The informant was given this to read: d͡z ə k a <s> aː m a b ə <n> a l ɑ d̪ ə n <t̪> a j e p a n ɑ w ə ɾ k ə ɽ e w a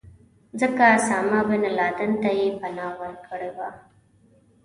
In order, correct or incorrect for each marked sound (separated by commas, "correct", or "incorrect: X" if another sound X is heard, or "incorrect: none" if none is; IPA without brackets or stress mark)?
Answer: correct, correct, correct